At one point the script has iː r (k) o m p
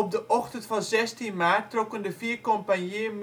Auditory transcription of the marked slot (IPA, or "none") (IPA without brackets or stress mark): k